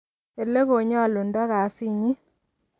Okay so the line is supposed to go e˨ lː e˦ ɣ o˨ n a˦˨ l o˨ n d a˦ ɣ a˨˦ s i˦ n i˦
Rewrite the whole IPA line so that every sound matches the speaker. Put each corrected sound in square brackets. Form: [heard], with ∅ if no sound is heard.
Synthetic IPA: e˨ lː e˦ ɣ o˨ [ɲ] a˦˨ l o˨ n d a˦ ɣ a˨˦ s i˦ [ɲ] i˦